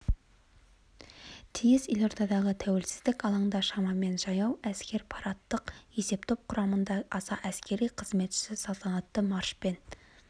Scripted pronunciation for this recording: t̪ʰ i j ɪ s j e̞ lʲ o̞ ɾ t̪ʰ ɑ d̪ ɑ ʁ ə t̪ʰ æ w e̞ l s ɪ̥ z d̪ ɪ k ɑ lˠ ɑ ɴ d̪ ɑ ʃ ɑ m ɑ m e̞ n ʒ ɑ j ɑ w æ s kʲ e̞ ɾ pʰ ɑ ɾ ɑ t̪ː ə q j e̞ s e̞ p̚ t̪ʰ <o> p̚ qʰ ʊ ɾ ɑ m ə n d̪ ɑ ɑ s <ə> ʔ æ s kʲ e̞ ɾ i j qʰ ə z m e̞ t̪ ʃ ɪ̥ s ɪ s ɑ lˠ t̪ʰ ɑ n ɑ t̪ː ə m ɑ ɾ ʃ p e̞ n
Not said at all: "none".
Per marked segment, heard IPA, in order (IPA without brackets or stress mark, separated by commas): o, ɑ